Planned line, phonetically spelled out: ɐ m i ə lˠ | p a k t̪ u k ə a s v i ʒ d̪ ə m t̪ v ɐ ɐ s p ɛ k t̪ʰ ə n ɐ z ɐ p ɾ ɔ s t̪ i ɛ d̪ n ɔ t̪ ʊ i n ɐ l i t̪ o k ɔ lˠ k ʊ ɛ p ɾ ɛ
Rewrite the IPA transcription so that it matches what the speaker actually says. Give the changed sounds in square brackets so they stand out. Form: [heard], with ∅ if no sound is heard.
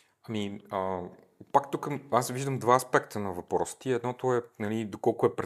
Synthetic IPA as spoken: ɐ m i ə [∅] | p a k t̪ u k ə a s v i ʒ d̪ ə m [d̪] v [a] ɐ s p ɛ k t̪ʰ ə n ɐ [v] ɐ p ɾ ɔ s t̪ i ɛ d̪ n ɔ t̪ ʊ [ɛ] n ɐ l i [d̪] o k ɔ lˠ k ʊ ɛ p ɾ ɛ